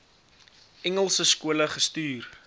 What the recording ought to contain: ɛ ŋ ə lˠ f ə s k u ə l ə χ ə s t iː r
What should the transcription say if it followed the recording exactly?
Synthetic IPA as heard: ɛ ŋ ə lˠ s ə s k u ə l ə χ ə s t yː r